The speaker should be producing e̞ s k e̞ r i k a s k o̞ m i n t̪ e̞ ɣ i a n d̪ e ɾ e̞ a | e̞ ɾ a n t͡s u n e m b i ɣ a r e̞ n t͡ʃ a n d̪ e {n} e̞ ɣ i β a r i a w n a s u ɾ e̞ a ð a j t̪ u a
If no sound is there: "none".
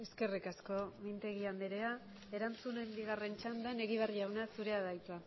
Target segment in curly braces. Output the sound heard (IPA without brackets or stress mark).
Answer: n